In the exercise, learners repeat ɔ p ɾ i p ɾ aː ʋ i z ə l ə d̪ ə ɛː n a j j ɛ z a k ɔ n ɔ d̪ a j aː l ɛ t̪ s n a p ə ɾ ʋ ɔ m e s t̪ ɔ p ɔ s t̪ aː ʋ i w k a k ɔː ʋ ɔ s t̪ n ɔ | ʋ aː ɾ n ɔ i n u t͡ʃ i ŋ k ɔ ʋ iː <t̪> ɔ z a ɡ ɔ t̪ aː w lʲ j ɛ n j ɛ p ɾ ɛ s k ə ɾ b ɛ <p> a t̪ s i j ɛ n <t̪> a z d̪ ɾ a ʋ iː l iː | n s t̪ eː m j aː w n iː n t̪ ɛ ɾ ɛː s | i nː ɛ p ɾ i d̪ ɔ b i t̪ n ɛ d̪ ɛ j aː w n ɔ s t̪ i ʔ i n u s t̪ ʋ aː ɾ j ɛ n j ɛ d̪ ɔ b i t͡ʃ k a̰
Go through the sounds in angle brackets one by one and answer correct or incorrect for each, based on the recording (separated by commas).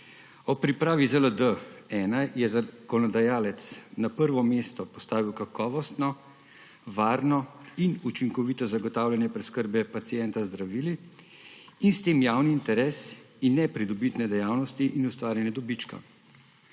correct, correct, correct